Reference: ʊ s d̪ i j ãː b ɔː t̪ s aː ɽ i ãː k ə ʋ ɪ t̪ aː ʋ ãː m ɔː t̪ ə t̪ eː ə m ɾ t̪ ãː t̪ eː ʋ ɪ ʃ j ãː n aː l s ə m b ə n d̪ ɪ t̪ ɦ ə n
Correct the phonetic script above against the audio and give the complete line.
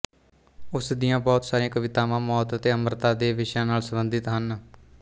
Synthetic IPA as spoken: ʊ s d̪ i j ãː b ɔː t̪ s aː ɾ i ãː k ə ʋ ɪ t̪ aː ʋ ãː m ɔː t̪ ə t̪ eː ə m ɾ t̪ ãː d̪ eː ʋ ɪ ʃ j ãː n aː l s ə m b ə n d̪ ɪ t̪ ɦ ə n

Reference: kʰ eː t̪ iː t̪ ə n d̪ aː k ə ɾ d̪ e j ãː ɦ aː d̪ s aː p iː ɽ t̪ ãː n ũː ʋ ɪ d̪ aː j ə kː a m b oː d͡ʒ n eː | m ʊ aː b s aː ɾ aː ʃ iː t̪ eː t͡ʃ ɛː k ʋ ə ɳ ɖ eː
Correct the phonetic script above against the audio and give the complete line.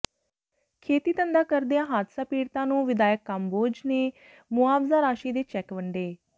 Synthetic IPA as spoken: kʰ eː t̪ iː t̪ ə n d̪ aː k ə ɾ d̪ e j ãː ɦ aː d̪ s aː p iː ɽ t̪ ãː n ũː ʋ ɪ d̪ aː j ə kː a m b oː d͡ʒ n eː | m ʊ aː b z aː ɾ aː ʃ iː d̪ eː t͡ʃ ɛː k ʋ ə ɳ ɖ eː

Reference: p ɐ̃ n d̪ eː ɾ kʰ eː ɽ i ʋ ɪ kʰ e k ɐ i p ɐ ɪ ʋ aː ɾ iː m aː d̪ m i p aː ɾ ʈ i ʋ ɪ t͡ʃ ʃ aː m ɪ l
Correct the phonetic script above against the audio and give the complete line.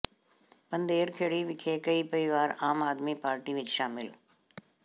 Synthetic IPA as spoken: p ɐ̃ n d̪ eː ɾ kʰ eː ɽ i ʋ ɪ kʰ e k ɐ i p ɐ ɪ ʋ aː ɾ aː m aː d̪ m i p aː ɾ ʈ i ʋ ɪ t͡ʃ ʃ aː m ɪ l

